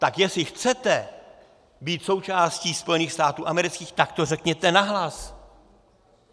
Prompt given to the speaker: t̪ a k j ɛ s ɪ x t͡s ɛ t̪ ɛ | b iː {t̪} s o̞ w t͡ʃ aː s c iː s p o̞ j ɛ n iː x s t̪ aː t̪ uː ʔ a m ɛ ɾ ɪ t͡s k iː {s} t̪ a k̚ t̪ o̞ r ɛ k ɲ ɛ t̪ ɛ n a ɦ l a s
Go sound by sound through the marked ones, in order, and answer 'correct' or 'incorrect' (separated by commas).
correct, incorrect